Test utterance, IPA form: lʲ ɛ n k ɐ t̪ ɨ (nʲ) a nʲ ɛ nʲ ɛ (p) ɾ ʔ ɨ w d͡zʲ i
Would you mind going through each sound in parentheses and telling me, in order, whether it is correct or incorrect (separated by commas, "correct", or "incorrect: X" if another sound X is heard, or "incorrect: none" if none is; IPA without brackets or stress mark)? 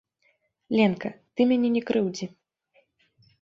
incorrect: mʲ, incorrect: k